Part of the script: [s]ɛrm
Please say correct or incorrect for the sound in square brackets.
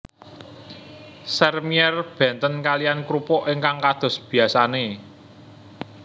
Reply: correct